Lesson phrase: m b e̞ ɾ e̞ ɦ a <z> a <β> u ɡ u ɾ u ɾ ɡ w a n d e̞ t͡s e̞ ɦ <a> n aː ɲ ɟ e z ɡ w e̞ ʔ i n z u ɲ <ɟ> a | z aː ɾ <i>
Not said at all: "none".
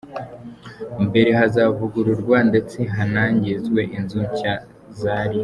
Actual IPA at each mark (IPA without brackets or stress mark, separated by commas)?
z, v, a, c, i